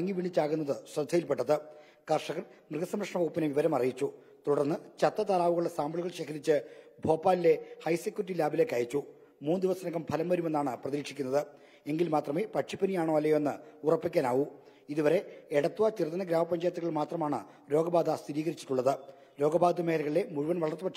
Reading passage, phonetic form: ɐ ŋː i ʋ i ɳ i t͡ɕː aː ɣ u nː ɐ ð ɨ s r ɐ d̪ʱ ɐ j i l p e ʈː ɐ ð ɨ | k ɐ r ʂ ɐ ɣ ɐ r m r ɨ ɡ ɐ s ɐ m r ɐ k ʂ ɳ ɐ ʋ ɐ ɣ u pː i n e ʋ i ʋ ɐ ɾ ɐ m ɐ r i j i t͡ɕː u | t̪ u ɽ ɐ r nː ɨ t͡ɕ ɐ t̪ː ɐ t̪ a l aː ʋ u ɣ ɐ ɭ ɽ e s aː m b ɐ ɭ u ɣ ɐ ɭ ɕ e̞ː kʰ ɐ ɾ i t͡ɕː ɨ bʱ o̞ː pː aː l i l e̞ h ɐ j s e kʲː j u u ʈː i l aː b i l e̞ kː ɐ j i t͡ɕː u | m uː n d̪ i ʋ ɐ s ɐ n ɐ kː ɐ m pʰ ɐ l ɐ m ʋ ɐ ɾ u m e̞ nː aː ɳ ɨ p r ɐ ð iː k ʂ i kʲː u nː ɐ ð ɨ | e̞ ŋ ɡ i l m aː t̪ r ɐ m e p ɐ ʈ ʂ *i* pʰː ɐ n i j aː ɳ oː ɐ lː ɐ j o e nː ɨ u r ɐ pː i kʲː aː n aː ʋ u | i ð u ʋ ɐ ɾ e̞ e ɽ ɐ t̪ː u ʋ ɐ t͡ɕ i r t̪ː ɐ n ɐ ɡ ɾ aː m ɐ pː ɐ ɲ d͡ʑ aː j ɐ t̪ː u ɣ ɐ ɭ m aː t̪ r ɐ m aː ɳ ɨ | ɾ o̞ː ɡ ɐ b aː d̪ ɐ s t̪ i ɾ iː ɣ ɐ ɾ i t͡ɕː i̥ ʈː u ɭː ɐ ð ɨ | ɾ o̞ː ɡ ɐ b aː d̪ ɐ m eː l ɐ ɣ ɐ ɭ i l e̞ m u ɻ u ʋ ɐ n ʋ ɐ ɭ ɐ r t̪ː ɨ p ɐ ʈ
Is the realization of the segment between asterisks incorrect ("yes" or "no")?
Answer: no